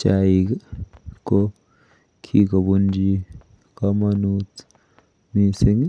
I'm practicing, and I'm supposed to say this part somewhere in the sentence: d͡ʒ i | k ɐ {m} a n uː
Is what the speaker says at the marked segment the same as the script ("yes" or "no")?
yes